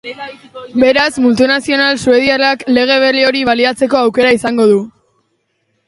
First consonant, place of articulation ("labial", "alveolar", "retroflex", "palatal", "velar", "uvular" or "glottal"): labial